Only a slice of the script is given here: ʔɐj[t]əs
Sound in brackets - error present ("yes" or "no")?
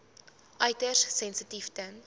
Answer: no